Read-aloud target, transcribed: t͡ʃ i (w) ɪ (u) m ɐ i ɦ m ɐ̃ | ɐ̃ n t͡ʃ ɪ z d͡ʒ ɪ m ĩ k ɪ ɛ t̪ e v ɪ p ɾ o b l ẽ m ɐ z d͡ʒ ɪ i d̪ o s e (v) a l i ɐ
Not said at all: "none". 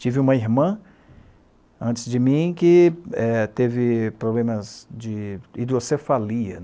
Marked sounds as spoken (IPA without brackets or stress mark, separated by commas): v, ũ, f